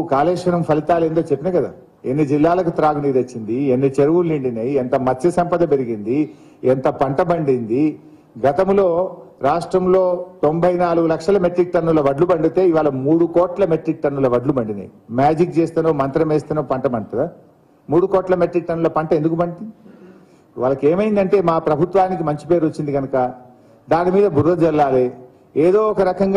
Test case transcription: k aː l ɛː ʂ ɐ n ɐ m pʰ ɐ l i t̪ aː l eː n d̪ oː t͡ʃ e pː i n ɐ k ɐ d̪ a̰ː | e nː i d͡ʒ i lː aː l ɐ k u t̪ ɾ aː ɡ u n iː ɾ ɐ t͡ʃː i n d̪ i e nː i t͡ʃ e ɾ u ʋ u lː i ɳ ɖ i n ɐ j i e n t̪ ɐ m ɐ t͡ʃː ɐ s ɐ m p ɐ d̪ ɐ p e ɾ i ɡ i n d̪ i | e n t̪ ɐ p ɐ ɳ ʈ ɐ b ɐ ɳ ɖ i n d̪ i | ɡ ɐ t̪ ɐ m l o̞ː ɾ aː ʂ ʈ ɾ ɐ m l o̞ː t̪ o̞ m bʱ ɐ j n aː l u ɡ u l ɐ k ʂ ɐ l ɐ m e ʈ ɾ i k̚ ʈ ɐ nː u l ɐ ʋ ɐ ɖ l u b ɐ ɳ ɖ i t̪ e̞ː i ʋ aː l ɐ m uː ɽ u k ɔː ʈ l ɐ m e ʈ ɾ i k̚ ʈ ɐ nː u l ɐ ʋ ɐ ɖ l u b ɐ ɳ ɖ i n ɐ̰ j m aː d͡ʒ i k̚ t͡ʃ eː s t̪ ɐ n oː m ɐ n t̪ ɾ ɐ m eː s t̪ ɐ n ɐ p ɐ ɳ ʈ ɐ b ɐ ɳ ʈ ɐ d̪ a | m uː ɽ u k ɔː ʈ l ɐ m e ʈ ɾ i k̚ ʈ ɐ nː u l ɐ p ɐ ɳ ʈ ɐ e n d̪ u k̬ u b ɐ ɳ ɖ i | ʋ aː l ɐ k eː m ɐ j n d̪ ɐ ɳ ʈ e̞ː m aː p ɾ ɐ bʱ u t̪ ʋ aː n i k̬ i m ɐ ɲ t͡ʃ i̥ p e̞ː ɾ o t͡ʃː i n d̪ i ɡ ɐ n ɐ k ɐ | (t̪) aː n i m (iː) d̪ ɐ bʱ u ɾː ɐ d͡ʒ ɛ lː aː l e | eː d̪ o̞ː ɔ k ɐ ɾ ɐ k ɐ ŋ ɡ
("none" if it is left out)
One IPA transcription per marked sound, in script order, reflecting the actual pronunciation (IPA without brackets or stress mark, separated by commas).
d̪, iː